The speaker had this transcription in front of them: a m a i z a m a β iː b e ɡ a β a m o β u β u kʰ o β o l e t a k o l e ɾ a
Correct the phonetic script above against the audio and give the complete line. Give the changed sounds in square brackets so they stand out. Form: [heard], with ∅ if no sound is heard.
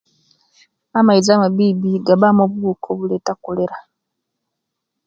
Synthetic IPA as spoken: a m a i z a m a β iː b [i] ɡ a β a m o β u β u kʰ o β [u] l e t a k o l e ɾ a

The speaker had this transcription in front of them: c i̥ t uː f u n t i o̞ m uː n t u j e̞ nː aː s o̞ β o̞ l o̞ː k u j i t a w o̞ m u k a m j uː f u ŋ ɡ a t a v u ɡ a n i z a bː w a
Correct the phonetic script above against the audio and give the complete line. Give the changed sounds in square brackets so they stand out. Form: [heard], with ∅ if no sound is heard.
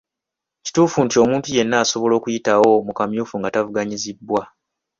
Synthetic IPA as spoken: c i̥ t uː f u n t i o̞ m uː n t u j e̞ nː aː s o̞ β o̞ l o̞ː k u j i t a w o̞ m u k a m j uː f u ŋ ɡ a t a v u ɡ a [ɲ] i z [i] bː w a

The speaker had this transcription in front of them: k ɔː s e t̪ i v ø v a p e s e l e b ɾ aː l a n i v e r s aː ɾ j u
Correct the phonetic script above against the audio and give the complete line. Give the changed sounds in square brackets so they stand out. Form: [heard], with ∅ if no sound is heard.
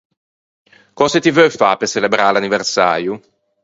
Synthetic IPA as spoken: k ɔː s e t̪ i v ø [f] a p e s e l e b ɾ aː l a n i v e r s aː ɾ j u

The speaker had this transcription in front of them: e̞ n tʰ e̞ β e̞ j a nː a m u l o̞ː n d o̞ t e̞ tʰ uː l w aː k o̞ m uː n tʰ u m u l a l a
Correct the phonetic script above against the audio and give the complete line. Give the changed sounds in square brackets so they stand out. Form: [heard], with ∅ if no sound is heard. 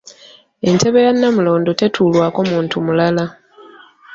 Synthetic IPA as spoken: e̞ n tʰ e̞ β e̞ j a nː a m u l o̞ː n d o̞ t e̞ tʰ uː l w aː k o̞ m uː n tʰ u m u l a l a

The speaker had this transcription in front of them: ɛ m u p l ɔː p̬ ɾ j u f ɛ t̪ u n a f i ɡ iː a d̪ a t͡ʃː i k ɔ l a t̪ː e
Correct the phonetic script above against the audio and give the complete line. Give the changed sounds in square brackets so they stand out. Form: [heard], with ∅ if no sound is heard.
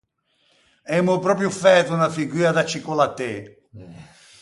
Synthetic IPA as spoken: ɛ m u p [ɾ] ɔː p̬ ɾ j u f ɛ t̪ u n a f i ɡ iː a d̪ a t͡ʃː i k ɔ l a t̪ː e

